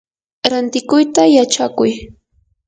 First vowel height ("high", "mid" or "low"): low